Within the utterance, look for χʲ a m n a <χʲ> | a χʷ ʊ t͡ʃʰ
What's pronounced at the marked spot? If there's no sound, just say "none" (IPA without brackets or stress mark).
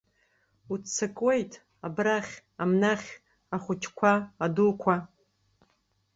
χʲ